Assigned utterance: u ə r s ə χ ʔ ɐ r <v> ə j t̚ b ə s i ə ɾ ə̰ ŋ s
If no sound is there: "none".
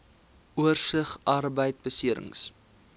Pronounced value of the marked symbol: b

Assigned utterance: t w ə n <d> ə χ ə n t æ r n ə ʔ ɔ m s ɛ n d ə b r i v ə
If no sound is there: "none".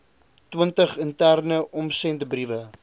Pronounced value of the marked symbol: t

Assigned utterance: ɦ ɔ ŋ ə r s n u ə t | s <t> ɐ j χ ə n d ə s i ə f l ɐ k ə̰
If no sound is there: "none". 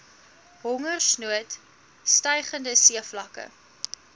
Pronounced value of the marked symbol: t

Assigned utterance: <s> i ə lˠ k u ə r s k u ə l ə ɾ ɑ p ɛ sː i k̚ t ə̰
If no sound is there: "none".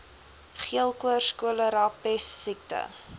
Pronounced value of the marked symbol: χ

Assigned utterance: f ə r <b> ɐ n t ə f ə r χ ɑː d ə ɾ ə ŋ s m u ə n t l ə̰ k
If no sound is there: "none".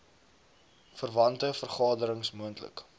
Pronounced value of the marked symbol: v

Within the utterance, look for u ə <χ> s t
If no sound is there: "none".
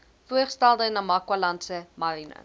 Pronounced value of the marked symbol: χ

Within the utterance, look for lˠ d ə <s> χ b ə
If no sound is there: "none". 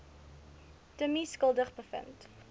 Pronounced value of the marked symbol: none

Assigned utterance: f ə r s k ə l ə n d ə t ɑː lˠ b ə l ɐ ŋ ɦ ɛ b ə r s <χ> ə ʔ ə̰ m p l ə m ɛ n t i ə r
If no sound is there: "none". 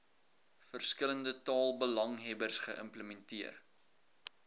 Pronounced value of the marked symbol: χ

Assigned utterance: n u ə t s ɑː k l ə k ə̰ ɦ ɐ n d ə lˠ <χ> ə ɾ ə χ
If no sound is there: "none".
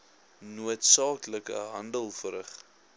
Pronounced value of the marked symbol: f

